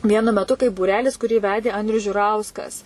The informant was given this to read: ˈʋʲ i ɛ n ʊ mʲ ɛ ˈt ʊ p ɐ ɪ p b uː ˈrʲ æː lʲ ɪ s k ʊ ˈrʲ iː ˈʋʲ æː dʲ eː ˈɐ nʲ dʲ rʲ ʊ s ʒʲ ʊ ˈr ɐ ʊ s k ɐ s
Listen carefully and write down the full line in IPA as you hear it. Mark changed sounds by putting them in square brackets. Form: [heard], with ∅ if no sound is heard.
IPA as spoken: ˈʋʲ i ɛ n ʊ mʲ ɛ ˈt ʊ [k] ɐ ɪ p b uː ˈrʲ æː lʲ ɪ s k ʊ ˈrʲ iː ˈʋʲ æː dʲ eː ˈɐ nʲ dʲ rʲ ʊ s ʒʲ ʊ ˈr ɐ ʊ s k ɐ s